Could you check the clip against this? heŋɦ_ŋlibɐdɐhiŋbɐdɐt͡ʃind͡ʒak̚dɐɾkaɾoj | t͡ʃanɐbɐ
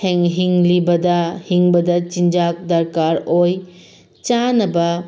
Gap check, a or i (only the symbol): i